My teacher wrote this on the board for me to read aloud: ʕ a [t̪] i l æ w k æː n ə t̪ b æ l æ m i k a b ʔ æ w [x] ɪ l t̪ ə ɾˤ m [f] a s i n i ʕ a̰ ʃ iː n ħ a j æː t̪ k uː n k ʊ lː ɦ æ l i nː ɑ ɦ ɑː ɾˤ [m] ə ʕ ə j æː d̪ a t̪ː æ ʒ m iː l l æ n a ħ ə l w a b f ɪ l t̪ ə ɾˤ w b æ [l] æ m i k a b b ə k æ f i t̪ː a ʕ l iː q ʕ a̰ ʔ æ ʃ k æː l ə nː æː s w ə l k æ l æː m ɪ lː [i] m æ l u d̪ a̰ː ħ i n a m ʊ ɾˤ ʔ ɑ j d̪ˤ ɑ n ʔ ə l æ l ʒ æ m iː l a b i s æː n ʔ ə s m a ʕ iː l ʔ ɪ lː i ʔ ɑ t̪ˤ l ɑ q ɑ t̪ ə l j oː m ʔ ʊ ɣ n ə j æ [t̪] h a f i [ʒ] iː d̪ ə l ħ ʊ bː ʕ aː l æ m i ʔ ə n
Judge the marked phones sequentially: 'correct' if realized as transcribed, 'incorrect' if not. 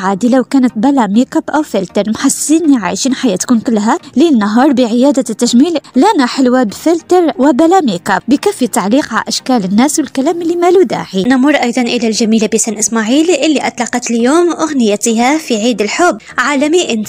incorrect, incorrect, incorrect, incorrect, correct, correct, correct, incorrect

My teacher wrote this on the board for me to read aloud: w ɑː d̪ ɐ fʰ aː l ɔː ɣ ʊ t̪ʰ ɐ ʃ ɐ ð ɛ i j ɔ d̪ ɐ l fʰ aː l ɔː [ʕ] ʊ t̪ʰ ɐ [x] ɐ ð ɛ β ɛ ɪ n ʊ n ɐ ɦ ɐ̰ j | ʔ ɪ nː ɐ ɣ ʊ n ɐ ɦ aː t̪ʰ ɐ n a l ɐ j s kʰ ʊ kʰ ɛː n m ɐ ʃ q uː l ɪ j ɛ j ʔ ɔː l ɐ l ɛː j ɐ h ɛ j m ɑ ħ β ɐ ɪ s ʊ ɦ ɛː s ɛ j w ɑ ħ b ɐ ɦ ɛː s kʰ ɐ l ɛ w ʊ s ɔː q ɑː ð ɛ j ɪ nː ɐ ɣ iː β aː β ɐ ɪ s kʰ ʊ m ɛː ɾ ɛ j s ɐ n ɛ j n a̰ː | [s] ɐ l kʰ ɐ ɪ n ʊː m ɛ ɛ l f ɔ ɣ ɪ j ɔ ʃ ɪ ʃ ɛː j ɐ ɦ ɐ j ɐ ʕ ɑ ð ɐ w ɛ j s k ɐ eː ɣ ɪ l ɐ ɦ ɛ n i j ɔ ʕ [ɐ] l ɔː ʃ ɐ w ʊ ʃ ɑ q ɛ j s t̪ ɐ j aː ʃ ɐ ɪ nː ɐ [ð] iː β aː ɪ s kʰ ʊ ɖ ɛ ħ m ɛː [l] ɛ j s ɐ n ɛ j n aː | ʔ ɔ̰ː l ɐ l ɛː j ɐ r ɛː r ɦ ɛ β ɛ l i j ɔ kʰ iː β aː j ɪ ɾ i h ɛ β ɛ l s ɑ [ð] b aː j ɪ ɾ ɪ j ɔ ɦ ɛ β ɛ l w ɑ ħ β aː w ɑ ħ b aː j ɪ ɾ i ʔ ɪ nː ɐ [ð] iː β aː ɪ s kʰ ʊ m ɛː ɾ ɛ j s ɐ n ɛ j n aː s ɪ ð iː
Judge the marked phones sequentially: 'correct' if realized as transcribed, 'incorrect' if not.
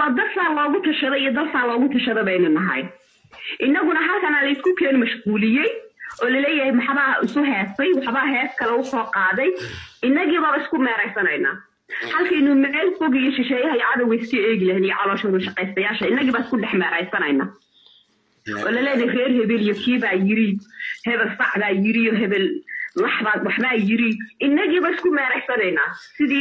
incorrect, incorrect, incorrect, incorrect, incorrect, incorrect, incorrect, incorrect

